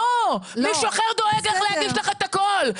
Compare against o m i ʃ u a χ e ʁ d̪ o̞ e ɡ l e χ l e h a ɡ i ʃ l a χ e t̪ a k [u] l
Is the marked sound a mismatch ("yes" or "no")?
yes